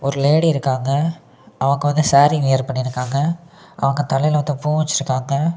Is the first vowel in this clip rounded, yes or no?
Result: yes